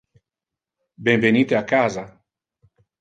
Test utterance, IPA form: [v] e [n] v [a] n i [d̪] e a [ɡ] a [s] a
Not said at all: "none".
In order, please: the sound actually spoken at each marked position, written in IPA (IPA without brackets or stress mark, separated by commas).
b, n, e, t̪, k, z